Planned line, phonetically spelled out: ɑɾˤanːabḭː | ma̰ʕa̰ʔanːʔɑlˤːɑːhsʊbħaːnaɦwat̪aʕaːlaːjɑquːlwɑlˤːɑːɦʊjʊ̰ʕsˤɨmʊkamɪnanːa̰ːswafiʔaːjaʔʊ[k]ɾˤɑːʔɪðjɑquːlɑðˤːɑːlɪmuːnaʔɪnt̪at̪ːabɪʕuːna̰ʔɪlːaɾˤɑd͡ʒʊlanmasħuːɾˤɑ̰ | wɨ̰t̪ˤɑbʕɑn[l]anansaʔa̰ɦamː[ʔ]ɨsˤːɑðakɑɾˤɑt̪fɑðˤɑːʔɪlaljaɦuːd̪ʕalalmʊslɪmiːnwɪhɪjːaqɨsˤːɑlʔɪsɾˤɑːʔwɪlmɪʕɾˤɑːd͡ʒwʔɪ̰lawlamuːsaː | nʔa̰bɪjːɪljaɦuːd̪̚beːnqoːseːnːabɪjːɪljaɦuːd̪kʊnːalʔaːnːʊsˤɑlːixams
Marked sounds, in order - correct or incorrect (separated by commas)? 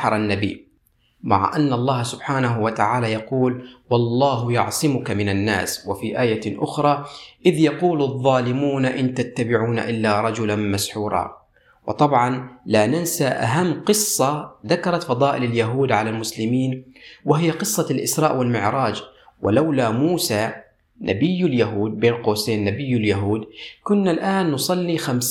incorrect, correct, incorrect